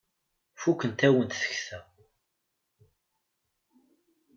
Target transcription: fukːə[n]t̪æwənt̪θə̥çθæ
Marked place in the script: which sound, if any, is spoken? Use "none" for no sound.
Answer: n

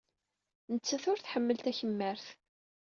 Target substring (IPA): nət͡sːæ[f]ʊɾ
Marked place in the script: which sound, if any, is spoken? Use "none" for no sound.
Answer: θ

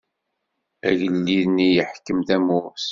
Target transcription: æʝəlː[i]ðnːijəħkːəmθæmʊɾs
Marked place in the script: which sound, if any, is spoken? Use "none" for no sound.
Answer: i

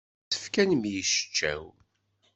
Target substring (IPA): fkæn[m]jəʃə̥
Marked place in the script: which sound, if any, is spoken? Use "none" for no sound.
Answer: m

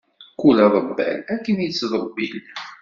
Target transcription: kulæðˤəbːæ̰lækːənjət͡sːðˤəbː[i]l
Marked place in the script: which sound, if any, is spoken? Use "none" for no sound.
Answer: i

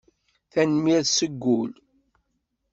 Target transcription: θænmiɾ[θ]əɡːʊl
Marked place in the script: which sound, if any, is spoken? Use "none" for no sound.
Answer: s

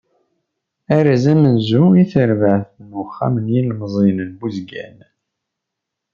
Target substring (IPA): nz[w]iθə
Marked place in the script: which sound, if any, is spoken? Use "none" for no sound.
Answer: u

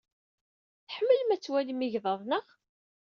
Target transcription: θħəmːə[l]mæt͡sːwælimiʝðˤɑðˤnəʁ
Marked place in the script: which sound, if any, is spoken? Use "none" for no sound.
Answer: l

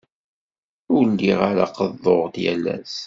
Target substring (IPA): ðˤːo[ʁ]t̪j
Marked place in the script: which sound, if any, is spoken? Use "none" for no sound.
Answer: ʁ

